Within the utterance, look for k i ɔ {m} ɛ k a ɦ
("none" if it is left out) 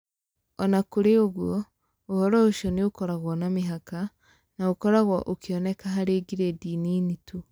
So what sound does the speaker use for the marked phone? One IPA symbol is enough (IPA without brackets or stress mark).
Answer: n